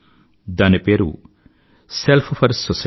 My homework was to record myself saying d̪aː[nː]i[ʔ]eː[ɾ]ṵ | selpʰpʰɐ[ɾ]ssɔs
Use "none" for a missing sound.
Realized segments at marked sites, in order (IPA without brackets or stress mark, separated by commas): n, p, ɾ, ɾ